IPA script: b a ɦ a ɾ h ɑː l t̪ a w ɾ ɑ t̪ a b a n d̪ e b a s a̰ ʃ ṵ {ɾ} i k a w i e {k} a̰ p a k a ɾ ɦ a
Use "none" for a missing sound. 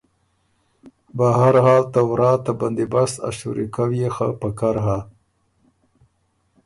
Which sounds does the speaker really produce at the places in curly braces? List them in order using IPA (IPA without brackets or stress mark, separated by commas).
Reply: ɾ, x